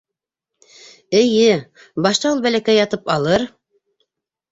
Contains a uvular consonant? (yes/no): no